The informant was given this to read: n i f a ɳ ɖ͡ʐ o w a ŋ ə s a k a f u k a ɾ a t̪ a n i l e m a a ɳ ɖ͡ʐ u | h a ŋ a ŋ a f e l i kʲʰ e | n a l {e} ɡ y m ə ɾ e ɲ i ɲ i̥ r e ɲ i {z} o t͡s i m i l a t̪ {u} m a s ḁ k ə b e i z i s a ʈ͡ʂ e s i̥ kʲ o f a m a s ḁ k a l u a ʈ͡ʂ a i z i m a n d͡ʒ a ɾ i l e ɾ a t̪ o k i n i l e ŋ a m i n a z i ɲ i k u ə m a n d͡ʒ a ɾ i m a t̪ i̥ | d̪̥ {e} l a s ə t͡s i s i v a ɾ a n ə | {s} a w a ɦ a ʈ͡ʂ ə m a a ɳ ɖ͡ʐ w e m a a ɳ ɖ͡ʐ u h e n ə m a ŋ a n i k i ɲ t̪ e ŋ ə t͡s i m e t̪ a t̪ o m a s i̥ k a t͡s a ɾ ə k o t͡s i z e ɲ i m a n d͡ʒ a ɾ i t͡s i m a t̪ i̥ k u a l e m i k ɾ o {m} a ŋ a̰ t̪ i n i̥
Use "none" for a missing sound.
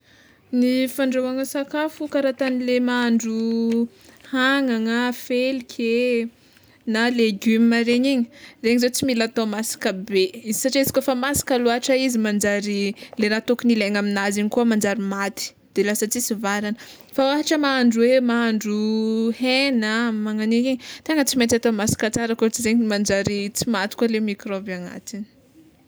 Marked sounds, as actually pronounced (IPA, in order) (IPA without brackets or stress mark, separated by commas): e, z, o, e, f, b